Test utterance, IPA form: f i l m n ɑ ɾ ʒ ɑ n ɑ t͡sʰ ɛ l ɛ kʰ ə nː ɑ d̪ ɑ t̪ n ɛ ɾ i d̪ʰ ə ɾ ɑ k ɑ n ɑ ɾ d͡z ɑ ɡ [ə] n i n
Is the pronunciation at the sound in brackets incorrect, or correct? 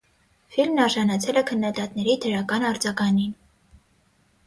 incorrect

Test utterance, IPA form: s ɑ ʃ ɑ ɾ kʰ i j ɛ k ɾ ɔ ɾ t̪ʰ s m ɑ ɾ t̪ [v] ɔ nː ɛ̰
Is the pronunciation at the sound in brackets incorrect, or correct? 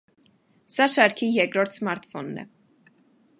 incorrect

